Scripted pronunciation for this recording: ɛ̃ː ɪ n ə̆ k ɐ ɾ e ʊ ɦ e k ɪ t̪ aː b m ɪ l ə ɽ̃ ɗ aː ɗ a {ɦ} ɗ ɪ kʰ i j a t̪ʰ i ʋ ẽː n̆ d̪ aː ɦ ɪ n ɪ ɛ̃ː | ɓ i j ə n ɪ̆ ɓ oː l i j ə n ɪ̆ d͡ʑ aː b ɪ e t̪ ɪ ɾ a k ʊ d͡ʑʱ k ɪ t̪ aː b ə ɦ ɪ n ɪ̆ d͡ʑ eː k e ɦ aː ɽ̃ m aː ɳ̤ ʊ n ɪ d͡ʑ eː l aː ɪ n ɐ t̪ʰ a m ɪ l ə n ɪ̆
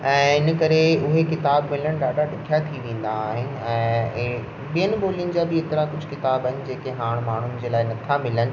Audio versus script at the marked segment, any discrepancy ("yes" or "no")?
yes